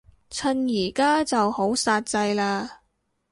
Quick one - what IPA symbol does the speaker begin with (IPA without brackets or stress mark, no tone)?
t͡sʰ